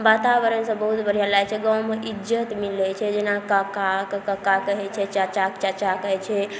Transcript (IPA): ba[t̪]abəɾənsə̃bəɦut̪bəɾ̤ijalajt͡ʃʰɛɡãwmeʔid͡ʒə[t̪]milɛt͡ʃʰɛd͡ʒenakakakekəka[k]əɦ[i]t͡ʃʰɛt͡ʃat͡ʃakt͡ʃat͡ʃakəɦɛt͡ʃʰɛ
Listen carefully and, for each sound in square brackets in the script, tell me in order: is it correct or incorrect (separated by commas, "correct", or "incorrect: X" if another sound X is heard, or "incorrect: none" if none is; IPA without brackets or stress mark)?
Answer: correct, correct, correct, incorrect: ɛ